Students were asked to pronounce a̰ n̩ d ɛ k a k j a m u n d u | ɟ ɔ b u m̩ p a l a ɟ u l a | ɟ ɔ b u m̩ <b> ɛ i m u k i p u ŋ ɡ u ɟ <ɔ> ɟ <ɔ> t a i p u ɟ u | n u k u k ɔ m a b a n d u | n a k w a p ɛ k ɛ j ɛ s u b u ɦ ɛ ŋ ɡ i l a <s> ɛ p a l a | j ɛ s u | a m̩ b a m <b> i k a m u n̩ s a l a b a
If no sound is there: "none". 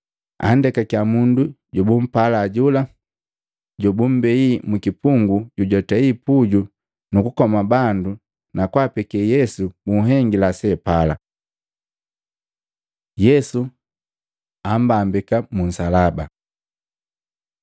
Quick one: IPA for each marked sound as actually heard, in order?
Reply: b, u, ɔ, s, b

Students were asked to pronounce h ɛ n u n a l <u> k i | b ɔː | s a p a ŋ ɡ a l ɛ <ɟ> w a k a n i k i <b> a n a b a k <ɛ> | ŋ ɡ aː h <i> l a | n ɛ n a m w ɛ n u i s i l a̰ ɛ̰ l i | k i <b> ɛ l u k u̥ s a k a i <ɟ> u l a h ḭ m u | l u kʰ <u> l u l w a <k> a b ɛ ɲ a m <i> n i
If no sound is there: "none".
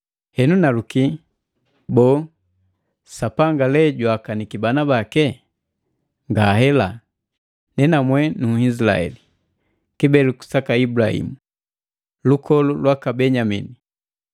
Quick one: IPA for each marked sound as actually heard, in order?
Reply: u, ɟ, b, ɛ, ɛ, b, b, ɔ, k, i

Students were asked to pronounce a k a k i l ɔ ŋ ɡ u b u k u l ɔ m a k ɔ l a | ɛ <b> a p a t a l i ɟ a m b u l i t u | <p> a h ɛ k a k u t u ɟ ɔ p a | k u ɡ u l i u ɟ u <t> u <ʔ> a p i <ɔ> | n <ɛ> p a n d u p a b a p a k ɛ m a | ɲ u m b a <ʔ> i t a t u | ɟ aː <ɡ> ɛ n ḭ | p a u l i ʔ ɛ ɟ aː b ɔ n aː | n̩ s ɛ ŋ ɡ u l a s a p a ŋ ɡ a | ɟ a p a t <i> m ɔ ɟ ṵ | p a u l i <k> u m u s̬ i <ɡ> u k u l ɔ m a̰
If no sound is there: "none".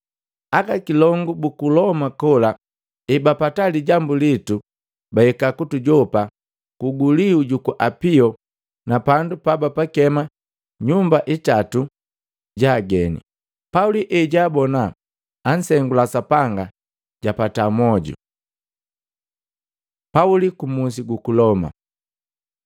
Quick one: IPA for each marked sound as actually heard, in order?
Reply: b, b, k, ʔ, ɔ, a, ʔ, ɡ, a, k, ɡ

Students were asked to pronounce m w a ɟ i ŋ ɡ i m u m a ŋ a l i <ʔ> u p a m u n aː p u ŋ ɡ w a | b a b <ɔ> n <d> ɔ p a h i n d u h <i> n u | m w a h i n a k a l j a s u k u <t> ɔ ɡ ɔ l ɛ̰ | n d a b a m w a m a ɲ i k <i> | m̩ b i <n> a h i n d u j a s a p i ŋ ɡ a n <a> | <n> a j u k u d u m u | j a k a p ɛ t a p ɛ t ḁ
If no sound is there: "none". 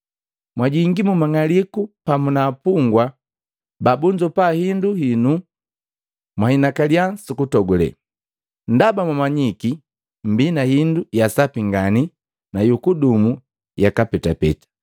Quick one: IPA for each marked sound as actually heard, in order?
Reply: k, u, d͡ʒ, i, t, i, n, i, n

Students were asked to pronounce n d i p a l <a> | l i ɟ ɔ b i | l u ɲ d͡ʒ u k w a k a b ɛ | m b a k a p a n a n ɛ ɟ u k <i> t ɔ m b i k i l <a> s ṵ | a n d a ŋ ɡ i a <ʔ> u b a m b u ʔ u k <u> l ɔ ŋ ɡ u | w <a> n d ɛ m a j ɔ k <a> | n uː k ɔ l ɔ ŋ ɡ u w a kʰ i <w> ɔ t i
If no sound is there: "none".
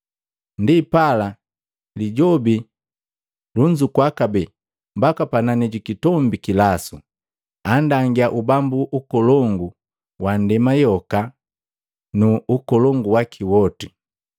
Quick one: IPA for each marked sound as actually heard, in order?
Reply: a, i, a, ʔ, ɔ, a, a, w

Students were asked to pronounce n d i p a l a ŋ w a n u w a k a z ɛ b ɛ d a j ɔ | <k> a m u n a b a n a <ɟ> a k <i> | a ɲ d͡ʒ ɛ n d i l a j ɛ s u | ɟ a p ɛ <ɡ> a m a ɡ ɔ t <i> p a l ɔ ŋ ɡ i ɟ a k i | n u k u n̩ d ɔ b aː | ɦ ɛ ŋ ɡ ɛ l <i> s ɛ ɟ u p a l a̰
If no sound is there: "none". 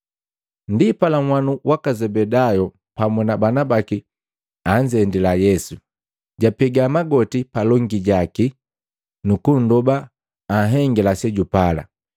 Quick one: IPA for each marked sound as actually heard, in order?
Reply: p, b, i, ɡ, i, a

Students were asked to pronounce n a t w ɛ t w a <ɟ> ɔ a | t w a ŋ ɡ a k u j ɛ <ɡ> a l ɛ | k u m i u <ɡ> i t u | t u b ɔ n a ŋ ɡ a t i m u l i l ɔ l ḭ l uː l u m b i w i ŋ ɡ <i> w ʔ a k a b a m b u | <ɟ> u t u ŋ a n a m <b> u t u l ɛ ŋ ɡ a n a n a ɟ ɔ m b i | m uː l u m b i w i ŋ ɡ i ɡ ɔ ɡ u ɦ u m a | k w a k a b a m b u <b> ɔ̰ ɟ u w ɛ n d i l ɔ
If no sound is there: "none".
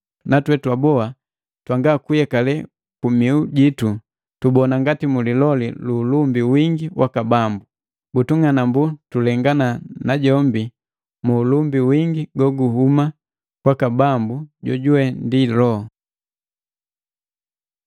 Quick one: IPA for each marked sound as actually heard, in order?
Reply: b, k, ɟ, i, b, b, ɟ

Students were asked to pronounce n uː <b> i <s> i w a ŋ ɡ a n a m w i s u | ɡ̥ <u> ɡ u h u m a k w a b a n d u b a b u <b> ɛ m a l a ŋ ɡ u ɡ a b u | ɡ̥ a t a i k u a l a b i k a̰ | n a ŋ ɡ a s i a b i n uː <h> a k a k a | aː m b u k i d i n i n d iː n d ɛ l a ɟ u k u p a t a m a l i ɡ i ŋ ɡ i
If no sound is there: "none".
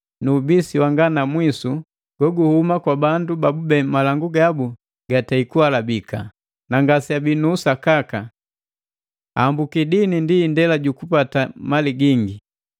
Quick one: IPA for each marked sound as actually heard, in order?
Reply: b, s, ɔ, b, s

